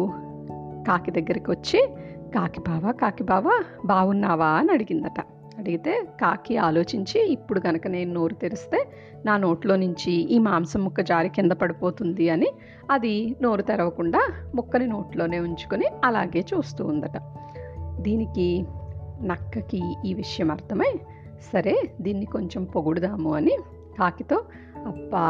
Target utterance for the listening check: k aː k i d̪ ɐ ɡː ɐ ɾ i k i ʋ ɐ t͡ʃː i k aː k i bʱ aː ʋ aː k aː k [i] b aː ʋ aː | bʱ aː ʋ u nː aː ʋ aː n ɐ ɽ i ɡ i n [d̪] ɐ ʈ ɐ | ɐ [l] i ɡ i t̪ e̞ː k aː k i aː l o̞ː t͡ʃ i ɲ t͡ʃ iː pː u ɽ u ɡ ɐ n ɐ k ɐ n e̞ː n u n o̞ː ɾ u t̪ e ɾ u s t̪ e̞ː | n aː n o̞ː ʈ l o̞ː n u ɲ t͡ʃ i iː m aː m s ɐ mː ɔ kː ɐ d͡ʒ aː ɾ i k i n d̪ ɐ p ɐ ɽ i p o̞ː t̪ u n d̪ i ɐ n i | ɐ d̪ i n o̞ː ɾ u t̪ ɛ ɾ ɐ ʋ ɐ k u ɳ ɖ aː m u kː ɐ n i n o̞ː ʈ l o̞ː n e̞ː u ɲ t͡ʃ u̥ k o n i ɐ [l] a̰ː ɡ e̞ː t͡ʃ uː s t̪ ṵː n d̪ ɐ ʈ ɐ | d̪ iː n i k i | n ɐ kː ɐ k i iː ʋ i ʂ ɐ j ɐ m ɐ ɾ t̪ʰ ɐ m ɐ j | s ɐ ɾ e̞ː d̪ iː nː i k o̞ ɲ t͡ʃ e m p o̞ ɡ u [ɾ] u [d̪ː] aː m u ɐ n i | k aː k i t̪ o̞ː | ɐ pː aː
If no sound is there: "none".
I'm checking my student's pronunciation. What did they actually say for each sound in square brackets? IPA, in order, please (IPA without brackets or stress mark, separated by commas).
i, d̪, ɽ, l, ɽ, d̪